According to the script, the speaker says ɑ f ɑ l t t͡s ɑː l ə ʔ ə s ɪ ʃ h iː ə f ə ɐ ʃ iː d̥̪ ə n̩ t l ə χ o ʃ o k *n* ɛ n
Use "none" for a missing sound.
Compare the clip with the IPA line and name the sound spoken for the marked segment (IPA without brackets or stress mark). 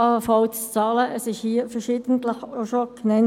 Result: n